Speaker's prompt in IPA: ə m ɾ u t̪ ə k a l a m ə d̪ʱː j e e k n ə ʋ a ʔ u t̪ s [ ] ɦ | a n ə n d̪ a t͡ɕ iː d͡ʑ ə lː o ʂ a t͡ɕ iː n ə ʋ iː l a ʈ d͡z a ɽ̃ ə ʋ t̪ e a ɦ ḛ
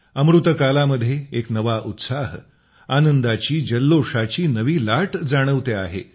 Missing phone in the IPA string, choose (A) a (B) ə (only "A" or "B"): A